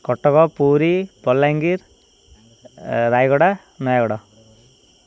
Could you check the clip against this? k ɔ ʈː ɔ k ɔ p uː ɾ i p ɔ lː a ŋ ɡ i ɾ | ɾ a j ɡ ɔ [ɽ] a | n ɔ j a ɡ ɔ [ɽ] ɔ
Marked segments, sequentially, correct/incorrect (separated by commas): correct, correct